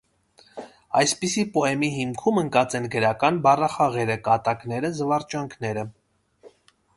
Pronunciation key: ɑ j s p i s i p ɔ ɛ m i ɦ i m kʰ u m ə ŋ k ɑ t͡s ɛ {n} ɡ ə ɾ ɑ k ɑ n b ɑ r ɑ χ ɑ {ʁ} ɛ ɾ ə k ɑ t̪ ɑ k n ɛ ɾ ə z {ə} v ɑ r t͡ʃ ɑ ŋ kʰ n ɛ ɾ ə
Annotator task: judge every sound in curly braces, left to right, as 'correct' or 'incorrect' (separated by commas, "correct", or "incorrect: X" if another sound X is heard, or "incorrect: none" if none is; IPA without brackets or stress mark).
correct, correct, correct